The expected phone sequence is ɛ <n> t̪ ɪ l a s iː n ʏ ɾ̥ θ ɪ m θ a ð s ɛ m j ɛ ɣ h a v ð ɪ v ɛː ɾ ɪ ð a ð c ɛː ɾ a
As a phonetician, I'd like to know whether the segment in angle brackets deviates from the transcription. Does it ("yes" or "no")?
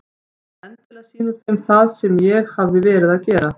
no